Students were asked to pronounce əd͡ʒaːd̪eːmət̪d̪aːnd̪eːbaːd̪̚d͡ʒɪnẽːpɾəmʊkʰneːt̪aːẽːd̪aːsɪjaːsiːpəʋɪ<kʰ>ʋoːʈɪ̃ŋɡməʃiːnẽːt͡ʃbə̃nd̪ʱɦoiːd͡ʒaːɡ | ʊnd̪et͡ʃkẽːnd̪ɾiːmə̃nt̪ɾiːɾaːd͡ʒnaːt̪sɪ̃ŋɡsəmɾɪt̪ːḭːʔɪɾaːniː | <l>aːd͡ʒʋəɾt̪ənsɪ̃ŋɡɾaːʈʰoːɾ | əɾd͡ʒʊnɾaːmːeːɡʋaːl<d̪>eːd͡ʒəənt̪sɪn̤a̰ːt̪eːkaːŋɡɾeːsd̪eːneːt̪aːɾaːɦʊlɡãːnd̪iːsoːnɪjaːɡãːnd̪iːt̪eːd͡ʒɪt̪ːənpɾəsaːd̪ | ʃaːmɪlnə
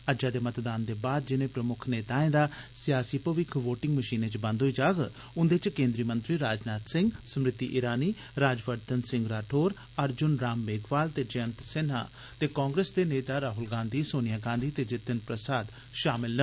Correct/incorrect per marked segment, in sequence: correct, incorrect: ɾ, incorrect: t̪

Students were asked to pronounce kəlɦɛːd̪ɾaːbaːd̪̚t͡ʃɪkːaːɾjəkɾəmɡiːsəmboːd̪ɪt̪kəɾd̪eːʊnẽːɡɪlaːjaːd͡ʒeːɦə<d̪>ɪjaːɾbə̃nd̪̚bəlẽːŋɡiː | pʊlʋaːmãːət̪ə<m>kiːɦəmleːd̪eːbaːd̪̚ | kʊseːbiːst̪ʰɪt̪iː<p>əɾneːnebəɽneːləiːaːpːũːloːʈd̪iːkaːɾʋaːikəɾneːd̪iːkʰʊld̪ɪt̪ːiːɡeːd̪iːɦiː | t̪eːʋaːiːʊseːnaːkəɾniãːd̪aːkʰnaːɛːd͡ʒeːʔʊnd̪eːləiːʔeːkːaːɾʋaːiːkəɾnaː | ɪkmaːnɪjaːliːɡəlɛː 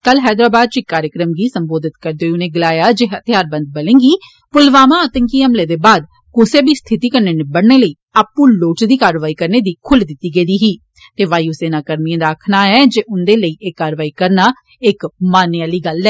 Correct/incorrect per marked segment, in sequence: incorrect: t̪, incorrect: ŋ, incorrect: k

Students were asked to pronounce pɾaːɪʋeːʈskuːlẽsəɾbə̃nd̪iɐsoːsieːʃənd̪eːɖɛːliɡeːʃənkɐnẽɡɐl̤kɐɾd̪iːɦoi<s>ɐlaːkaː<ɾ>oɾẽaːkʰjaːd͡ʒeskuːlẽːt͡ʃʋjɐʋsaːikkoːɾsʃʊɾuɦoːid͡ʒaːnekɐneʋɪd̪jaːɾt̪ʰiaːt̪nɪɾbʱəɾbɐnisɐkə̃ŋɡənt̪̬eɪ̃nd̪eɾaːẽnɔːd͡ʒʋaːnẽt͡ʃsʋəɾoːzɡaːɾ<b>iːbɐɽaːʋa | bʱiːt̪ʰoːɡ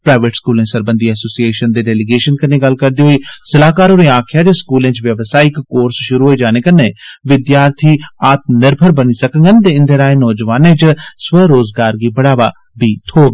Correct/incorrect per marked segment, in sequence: correct, correct, incorrect: ɡ

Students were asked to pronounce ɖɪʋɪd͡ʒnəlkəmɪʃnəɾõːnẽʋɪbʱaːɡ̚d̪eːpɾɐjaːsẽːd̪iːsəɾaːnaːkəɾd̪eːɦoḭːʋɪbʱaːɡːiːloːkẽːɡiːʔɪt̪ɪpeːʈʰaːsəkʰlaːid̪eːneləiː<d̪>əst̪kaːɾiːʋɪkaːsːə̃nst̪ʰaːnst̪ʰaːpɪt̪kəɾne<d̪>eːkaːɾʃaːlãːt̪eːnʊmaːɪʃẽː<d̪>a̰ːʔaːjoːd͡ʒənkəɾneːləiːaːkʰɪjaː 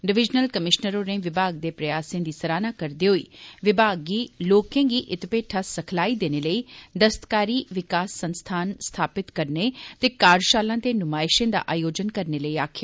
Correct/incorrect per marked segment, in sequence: correct, incorrect: t̪, correct

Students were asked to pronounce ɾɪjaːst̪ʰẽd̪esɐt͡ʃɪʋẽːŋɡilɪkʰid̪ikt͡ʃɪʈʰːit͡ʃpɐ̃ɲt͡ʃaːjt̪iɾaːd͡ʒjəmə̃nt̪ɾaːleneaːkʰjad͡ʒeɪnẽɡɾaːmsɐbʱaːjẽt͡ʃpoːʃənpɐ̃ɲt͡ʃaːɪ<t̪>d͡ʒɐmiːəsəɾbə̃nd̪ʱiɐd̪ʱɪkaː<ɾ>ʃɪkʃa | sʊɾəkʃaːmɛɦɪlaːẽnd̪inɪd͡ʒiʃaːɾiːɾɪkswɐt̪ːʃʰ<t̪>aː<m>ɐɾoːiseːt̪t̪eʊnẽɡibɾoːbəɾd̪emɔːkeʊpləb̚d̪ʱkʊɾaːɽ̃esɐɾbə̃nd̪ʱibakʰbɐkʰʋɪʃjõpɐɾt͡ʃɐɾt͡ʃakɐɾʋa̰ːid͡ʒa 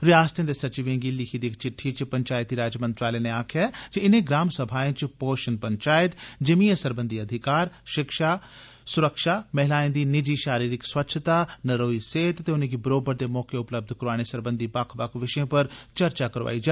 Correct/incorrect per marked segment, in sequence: correct, correct, correct, incorrect: n

